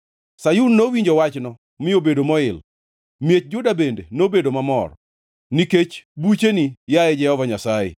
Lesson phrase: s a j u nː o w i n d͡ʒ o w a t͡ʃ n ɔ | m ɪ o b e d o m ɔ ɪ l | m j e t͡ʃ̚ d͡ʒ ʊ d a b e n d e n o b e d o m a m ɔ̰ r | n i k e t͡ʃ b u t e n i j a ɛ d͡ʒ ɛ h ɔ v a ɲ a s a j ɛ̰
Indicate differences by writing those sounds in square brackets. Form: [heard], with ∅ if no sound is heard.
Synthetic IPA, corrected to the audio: s a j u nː o w i [ɲ] d͡ʒ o w a t͡ʃ n ɔ | m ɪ o b e d o m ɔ ɪ l | m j e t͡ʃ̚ d͡ʒ ʊ d a b e n d e n o b e d o m a m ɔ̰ r | n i k e t͡ʃ b u [t͡ʃ] e n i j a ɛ d͡ʒ ɛ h ɔ v a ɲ a s a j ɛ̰

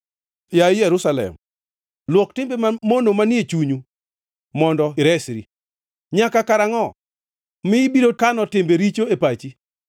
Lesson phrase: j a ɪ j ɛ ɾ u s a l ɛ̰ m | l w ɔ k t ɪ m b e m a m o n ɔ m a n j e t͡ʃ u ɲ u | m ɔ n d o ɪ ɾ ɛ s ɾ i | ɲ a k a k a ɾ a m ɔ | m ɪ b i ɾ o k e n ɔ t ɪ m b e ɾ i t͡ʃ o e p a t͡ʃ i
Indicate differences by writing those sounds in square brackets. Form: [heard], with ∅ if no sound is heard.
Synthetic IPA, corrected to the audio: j a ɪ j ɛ ɾ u s a l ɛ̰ m | l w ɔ k t ɪ m b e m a m o n [o] m a n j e t͡ʃ u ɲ u | m ɔ n d [ɔ] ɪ ɾ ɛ s ɾ i | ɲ a k a k a ɾ a [ŋ] ɔ | m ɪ b i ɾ o k [a] n ɔ t ɪ m b e ɾ i t͡ʃ o e p a t͡ʃ i

